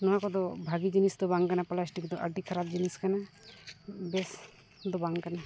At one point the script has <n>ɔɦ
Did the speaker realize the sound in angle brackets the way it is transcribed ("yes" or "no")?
yes